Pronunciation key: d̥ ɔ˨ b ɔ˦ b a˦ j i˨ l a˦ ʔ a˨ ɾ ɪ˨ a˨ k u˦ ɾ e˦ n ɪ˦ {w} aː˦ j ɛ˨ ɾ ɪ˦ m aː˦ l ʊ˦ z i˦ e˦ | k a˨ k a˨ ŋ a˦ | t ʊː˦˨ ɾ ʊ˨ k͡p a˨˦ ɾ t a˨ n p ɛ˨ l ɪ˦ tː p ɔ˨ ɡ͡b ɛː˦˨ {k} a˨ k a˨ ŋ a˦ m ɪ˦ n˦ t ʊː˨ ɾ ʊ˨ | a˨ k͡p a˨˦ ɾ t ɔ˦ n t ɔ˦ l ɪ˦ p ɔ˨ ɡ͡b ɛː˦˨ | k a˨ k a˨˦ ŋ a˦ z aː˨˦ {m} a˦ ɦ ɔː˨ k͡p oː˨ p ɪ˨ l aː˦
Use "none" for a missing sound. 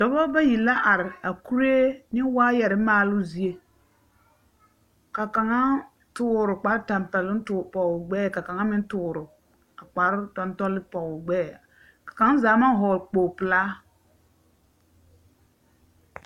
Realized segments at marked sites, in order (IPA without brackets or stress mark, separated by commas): w, k, m